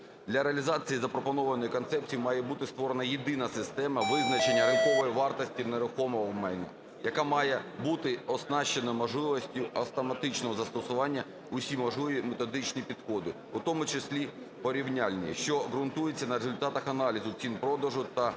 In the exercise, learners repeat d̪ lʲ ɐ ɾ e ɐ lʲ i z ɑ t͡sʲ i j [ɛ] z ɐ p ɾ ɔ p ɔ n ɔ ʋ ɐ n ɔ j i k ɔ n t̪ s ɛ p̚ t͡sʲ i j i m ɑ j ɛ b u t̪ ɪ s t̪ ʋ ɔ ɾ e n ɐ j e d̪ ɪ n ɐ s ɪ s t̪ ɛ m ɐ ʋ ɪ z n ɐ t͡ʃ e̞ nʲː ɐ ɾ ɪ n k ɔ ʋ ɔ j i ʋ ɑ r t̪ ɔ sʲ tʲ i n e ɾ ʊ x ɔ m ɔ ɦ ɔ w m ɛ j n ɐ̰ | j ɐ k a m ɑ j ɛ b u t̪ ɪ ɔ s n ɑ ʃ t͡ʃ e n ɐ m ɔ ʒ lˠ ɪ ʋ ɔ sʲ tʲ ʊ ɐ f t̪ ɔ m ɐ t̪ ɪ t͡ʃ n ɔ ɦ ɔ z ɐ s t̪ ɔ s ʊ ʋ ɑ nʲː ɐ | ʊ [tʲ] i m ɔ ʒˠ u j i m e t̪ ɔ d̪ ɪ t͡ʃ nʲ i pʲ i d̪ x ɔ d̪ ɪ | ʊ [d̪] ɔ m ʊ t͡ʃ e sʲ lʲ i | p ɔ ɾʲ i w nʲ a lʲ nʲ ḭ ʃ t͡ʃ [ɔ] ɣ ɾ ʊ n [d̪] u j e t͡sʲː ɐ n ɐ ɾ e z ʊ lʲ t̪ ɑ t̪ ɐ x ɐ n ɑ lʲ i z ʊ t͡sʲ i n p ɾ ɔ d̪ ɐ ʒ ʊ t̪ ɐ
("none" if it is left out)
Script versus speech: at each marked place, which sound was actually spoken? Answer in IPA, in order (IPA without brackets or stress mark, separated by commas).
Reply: i, sʲ, t̪, ɔ, t̪